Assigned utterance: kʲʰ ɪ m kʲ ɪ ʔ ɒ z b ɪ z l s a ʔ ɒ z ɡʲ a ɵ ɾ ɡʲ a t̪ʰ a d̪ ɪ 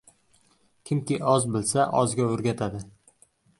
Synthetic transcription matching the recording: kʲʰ ɪ m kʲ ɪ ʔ ɒ z b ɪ l s a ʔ ɒ z ɡʲ a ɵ ɾ ɡʲ a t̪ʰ a d̪ ɪ